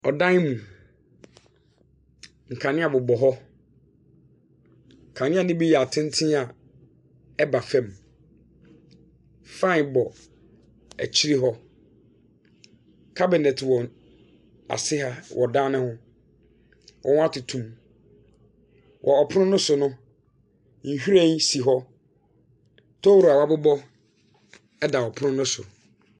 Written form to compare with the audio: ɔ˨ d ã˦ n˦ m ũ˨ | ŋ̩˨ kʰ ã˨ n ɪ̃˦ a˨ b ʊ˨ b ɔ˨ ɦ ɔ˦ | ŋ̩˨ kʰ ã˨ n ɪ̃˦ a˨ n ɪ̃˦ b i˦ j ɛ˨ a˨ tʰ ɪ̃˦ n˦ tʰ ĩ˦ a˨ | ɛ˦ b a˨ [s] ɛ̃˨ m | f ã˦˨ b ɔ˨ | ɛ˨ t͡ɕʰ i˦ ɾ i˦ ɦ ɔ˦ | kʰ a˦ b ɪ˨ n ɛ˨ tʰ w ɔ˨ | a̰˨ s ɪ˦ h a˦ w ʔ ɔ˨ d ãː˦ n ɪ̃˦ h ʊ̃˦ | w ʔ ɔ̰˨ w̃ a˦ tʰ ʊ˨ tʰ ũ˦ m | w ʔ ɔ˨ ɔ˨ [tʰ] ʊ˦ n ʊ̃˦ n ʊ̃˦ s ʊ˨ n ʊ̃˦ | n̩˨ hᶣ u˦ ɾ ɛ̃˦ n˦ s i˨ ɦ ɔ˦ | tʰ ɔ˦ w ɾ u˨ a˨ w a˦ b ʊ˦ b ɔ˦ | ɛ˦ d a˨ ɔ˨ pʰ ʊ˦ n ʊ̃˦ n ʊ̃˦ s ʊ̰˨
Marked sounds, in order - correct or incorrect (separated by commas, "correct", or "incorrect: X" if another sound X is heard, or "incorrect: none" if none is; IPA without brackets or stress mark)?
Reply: incorrect: f, incorrect: pʰ